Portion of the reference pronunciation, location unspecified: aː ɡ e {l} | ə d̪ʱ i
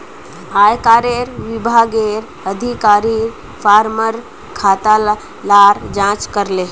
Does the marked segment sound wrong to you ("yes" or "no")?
yes